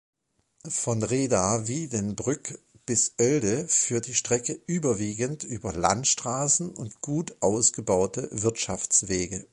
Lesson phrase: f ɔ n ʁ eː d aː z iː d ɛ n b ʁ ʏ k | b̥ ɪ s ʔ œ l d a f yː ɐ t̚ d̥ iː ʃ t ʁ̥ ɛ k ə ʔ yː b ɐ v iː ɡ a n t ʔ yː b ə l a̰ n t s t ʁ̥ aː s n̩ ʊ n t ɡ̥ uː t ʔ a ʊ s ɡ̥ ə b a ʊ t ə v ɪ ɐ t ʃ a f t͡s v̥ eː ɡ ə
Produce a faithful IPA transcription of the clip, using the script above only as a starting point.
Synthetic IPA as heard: f ɔ n ʁ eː d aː v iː d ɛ n b ʁ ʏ k | b̥ ɪ s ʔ œ l d ə f yː ɐ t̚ d̥ iː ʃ t ʁ̥ ɛ k ə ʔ yː b ɐ v iː ɡ ə n t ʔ yː b ɐ l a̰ n t ʃ t ʁ̥ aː s n̩ ʊ n t ɡ̥ uː t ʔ a ʊ s ɡ̥ ə b a ʊ t ə v ɪ ɐ t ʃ a f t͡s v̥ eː ɡ ə